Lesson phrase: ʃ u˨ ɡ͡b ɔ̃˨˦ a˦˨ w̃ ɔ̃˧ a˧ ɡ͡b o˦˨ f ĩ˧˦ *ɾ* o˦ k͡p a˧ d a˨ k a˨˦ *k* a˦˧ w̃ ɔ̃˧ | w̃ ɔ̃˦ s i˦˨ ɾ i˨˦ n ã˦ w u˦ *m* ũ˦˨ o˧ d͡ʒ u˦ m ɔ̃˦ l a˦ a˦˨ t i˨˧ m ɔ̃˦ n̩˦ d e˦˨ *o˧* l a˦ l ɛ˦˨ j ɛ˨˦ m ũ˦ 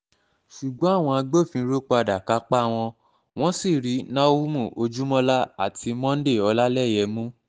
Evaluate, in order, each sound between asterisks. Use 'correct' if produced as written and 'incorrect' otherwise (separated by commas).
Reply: correct, incorrect, correct, incorrect